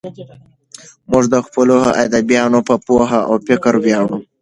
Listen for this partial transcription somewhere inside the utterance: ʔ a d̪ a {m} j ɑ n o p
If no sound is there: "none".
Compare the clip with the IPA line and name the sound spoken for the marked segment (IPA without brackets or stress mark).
b